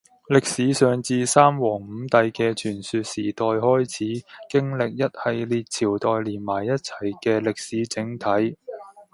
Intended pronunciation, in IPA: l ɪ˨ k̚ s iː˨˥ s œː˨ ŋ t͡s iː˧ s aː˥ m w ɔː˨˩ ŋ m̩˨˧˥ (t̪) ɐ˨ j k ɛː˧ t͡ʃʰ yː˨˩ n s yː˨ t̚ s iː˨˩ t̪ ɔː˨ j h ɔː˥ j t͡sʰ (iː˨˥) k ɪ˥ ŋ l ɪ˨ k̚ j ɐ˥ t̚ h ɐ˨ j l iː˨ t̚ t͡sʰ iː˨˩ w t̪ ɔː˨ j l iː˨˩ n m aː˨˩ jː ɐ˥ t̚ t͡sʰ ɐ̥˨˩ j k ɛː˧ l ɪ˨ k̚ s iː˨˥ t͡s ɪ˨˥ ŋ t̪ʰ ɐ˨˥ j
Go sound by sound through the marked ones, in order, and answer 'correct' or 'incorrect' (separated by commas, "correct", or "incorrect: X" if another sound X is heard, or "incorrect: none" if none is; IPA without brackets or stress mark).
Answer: correct, correct